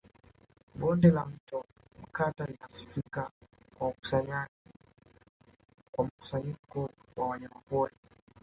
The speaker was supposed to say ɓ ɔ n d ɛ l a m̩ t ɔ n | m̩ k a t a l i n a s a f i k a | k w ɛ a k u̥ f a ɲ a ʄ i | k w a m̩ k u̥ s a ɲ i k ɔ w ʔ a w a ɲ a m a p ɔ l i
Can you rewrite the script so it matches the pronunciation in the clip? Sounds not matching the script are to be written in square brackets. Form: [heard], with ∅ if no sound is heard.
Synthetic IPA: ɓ ɔ n d ɛ l a m̩ t ɔ [∅] | m̩ k a t a l i n a s [i] f i k a | k w [a] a k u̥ [s] a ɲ a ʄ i | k w a m̩ k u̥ s a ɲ i k ɔ w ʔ a w a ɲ a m a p ɔ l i